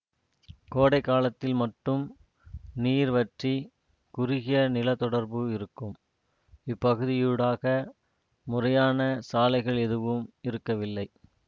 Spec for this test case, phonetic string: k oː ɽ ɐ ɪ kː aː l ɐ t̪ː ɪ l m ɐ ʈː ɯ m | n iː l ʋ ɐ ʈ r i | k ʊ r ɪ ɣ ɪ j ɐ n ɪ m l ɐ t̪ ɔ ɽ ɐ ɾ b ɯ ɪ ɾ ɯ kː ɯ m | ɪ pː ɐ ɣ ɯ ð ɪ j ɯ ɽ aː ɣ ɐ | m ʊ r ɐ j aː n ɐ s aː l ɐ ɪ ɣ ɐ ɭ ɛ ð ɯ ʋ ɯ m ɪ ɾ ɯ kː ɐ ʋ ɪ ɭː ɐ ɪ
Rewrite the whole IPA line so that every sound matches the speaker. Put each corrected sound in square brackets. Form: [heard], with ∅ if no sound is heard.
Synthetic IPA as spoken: k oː ɽ ɐ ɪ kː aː l ɐ t̪ː ɪ l m ɐ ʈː ɯ m | n iː [ɾ] ʋ ɐ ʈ r i | k ʊ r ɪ ɣ ɪ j ɐ n ɪ [∅] l ɐ t̪ ɔ ɽ ɐ ɾ b ɯ ɪ ɾ ɯ kː ɯ m | ɪ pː ɐ ɣ ɯ ð ɪ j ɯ ɽ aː ɣ ɐ | m ʊ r ɐ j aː n ɐ s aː l ɐ ɪ ɣ ɐ ɭ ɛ ð ɯ ʋ ɯ m ɪ ɾ ɯ kː ɐ ʋ ɪ [lː] ɐ ɪ